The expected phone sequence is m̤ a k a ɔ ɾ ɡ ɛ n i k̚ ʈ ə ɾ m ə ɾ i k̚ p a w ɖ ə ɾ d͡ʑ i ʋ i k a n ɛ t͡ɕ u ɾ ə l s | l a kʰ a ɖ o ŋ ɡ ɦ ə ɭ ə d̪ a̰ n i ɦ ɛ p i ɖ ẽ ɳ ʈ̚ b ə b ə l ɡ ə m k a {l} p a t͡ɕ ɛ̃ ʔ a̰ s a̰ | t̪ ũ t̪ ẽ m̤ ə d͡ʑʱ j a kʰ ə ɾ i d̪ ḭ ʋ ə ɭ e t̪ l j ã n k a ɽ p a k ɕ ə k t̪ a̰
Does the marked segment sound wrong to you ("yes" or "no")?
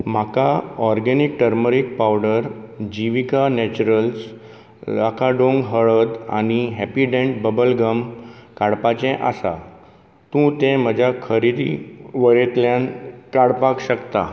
yes